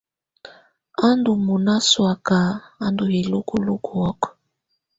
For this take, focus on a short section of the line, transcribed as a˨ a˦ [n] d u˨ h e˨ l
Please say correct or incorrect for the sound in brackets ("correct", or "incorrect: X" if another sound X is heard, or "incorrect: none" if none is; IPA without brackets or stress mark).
correct